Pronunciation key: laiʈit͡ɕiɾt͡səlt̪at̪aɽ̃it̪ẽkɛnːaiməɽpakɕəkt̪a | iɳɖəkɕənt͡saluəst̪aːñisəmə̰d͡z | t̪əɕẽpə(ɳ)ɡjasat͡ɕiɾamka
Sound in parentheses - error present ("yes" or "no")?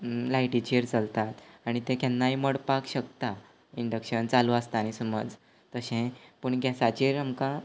no